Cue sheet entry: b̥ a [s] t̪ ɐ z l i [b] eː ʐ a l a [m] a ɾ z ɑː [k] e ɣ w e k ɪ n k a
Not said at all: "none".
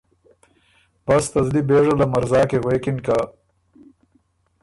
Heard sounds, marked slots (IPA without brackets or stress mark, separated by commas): s, b, m, k